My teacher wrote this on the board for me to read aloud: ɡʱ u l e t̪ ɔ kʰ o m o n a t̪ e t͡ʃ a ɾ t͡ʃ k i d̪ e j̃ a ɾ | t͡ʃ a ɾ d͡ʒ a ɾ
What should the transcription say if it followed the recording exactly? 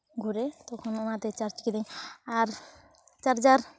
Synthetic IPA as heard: ɡʱ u ɾ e t̪ ɔ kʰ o n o n a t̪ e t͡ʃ a ɾ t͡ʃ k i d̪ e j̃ a ɾ | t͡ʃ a ɾ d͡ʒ a ɾ